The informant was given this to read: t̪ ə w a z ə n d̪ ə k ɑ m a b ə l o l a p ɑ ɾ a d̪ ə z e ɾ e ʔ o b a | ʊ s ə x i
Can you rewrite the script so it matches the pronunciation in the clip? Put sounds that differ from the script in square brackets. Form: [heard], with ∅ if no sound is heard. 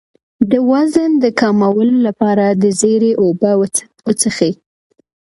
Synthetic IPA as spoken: [d̪] ə w a z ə n d̪ ə k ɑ m a [w] ə l o l a p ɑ ɾ a d̪ ə z e ɾ e ʔ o b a | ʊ [t͡s] ə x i